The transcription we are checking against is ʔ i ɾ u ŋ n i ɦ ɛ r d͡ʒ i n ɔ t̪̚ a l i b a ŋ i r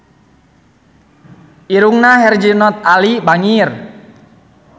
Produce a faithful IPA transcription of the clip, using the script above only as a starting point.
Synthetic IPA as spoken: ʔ i ɾ u ŋ n a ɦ ɛ r d͡ʒ i n ɔ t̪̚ a l i b a ŋ i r